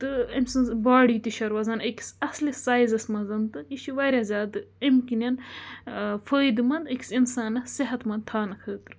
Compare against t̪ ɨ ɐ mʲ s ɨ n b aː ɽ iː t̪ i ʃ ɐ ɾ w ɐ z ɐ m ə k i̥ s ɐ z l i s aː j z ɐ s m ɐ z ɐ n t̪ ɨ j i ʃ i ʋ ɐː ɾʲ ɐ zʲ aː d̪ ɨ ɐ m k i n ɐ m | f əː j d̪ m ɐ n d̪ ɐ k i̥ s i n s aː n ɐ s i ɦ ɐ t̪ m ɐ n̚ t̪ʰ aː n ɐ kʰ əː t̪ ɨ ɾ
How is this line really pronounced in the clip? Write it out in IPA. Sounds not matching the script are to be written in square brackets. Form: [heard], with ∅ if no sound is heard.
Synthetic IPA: t̪ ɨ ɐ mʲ s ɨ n b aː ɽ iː t̪ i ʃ ɐ ɾ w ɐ z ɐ [n] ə k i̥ s ɐ [s] l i s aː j z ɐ s m ɐ z ɐ n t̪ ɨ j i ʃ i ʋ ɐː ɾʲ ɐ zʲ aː d̪ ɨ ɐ m k i n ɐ [n] | f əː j d̪ m ɐ n d̪ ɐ k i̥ s i n s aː n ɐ s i ɦ ɐ t̪ m ɐ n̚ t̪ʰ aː n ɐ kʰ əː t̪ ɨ ɾ